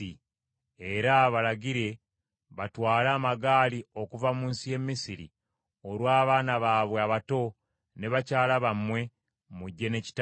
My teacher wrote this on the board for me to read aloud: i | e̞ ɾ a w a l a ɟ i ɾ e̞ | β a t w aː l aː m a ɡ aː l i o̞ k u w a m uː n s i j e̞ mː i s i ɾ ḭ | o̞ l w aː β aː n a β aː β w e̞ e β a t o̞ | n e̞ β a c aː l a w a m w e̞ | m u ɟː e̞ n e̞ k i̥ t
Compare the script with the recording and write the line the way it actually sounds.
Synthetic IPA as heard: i | e̞ ɾ a β a l a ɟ i ɾ e̞ | β a t w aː l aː m a ɡ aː l i o̞ k u v a m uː n s i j e̞ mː i s i ɾ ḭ | o̞ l w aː β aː n a β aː β w e̞ a β a t o̞ | n e̞ β a c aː l a β a m w e̞ | m u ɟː e̞ n e̞ c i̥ t